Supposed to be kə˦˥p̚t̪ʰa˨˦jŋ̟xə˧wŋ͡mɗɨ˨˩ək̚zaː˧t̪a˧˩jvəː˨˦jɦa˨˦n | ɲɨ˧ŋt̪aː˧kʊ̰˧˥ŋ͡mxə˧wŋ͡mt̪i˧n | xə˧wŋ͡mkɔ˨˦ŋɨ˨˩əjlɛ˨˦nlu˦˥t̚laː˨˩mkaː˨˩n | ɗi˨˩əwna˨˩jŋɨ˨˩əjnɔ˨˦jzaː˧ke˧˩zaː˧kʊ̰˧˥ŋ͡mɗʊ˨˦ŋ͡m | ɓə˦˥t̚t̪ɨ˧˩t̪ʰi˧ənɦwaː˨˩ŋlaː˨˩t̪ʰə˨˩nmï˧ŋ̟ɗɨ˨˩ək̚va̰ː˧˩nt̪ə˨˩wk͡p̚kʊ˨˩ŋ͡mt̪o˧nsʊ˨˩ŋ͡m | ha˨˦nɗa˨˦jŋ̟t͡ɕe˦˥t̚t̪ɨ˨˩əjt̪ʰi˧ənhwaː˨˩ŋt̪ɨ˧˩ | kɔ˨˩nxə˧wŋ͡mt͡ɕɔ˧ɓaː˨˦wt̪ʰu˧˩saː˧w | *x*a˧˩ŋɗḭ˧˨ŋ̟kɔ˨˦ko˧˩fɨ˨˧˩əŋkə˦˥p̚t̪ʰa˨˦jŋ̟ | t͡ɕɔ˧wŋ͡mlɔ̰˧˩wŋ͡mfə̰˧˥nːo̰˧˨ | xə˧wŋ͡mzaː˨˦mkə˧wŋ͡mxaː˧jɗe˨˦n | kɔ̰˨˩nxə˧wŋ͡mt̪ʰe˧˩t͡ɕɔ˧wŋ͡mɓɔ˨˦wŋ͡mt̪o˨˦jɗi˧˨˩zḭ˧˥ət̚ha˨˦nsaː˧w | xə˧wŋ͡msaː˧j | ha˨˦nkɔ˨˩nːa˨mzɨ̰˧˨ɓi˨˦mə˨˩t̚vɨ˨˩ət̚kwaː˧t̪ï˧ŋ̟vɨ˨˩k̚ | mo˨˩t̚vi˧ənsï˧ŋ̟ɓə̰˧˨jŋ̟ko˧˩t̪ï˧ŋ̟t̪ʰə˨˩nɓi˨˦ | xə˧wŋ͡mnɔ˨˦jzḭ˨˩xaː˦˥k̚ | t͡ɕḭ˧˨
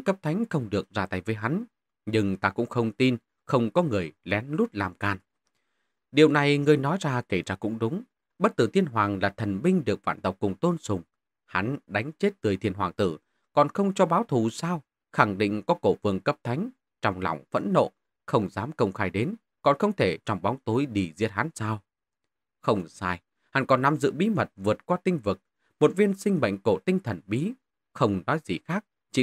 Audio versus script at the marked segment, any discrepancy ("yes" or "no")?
no